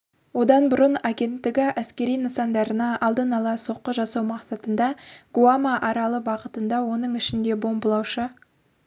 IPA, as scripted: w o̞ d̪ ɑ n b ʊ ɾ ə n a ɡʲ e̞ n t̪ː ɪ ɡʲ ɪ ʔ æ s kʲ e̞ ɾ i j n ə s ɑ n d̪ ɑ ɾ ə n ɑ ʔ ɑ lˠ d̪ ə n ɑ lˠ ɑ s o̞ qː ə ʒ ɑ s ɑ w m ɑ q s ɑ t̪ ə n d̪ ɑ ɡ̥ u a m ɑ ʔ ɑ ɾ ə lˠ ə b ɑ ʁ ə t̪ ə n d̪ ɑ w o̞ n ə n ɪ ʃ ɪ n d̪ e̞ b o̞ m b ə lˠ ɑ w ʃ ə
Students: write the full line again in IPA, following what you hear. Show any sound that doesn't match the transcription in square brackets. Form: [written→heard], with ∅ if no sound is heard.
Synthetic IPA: w o̞ d̪ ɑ n b ʊ ɾ ə n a ɡʲ e̞ n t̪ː ɪ ɡʲ ɪ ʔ æ s kʲ e̞ ɾ i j n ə s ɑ n d̪ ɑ ɾ ə n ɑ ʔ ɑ lˠ d̪ ə n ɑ lˠ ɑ s o̞ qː ə ʒ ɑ s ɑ w m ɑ q s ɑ t̪ ə n d̪ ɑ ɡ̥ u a m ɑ ʔ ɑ ɾ [ə→ɑ] lˠ ə b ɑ ʁ ə t̪ ə n d̪ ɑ w o̞ n ə [n→ɴ] ɪ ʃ ɪ n d̪ e̞ b o̞ m b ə lˠ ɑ w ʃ ə

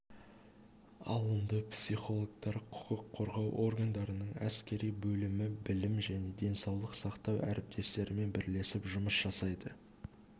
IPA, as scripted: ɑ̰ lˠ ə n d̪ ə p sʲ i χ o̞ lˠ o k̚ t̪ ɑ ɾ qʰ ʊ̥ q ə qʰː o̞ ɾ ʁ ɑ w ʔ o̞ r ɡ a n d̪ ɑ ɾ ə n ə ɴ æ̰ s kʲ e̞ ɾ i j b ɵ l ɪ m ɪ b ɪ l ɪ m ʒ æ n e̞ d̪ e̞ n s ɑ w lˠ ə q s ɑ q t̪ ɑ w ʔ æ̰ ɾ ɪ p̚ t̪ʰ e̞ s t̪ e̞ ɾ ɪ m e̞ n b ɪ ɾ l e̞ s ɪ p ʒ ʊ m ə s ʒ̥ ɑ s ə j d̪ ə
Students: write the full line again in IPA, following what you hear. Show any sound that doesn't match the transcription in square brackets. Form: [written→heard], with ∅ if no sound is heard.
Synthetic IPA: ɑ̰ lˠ ə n d̪ ə p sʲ i χ o̞ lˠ o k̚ t̪ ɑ ɾ qʰ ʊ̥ q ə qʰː o̞ ɾ ʁ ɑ w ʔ o̞ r ɡ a n d̪ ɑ ɾ ə n ə ɴ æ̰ s kʲ e̞ ɾ i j b ɵ l ɪ m ɪ b ɪ l ɪ m ʒ æ n e̞ d̪ e̞ n s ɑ w lˠ ə q s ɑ q t̪ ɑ w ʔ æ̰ ɾ ɪ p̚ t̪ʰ e̞ s t̪ e̞ ɾ ɪ m e̞ n b ɪ ɾ l e̞ s ɪ p ʒ ʊ m ə s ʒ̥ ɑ s [ə→ɑ] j d̪ ə

